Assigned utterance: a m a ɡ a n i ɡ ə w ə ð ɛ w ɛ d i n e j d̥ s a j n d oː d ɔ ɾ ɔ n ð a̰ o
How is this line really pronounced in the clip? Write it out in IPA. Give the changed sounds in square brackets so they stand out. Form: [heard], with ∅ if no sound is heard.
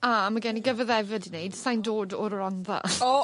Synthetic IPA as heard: a m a ɡ [ɛ] n i ɡ ə [v] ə ð ɛ [v] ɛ d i n e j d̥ s a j n d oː d ɔ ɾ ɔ n ð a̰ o

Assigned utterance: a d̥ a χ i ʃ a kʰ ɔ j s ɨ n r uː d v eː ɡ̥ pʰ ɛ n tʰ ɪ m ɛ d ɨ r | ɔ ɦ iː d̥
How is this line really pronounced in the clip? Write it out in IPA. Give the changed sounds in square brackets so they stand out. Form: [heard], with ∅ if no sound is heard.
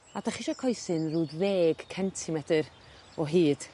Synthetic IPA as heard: a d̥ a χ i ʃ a kʰ ɔ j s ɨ n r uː d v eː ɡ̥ [kʰ] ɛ n tʰ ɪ m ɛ d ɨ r | ɔ ɦ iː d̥

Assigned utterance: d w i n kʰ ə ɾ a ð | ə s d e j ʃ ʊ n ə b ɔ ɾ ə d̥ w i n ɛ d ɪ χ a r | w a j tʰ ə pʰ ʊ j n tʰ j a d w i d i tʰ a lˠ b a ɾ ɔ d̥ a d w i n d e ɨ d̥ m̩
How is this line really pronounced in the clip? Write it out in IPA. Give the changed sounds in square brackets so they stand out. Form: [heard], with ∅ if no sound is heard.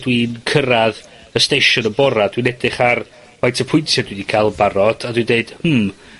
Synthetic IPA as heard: d w i n kʰ ə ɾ a ð | ə s [t] e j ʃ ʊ n ə b ɔ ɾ [a] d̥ w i n ɛ d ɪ χ a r | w a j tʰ ə pʰ ʊ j n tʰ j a d w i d i [kʰ] a lˠ b a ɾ ɔ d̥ a d w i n d e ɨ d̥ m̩

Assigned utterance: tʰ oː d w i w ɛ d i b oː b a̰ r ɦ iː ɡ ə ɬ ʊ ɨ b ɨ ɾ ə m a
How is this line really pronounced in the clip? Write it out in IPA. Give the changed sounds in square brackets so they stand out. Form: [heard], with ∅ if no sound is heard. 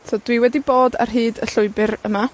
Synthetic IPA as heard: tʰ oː d w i w ɛ d i b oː [d] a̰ r ɦ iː [d] ə ɬ ʊ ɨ b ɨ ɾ ə m a

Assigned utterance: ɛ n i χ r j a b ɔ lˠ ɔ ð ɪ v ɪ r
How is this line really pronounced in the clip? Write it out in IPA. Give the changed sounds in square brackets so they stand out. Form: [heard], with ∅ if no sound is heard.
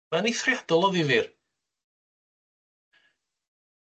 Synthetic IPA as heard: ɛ n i [θ] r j a [d] ɔ lˠ ɔ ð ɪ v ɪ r

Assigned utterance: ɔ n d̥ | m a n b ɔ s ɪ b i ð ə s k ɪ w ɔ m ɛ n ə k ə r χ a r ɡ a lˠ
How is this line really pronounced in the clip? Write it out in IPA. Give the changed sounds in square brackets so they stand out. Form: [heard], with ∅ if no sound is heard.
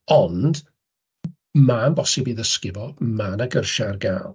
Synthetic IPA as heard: ɔ n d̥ | m a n b ɔ s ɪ b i ð ə s k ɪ [v] ɔ m [a] n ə [ɡ] ə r [ʃ] a r ɡ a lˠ

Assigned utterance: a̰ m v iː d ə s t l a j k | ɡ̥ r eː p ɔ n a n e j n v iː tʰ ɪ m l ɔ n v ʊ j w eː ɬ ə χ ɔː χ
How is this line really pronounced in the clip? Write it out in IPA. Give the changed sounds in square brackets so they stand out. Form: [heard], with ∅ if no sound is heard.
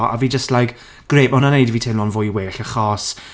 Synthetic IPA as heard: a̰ [∅] v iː [d͡ʒ] ə s t l a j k | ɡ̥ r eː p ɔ n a n e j [d] v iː tʰ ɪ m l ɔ n v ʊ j w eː ɬ ə χ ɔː [s]

